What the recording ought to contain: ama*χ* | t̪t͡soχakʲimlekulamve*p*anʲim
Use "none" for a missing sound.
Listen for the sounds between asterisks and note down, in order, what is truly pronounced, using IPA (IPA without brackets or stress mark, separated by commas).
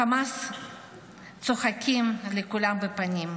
s, p